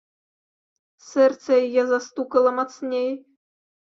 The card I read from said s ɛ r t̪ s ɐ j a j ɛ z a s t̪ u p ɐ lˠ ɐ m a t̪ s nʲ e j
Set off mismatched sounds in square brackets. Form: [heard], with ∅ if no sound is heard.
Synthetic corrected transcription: s ɛ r t̪ s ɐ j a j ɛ z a s t̪ u [k] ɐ lˠ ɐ m a t̪ s nʲ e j